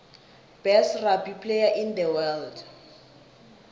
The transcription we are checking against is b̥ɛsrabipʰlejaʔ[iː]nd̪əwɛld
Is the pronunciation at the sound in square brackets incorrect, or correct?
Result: incorrect